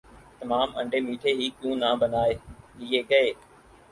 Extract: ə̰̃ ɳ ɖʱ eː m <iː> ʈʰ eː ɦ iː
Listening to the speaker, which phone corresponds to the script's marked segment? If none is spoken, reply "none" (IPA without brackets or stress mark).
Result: iː